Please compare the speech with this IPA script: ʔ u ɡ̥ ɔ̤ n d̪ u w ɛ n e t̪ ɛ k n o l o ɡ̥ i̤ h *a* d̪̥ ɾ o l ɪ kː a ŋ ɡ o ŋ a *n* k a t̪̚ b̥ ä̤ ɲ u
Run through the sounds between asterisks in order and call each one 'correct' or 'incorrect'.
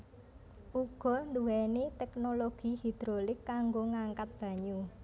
incorrect: i, incorrect: ŋ

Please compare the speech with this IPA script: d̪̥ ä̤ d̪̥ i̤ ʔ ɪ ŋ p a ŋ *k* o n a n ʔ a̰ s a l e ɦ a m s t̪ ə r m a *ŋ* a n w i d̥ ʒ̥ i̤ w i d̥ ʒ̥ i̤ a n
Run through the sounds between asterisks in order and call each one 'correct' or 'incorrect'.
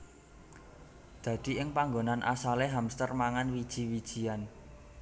incorrect: ɡ, correct

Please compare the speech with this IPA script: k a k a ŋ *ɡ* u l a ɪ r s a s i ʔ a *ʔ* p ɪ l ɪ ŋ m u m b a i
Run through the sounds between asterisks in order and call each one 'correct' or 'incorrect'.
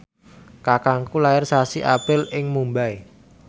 incorrect: k, incorrect: none

